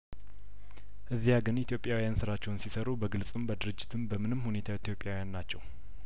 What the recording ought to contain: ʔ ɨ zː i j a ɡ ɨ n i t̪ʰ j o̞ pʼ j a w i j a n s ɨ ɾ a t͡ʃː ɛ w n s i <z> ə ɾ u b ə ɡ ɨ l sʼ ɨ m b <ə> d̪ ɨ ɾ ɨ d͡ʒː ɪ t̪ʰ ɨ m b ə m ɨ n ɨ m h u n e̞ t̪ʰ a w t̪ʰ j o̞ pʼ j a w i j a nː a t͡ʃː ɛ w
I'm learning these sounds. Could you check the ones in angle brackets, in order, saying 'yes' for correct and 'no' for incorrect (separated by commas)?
no, yes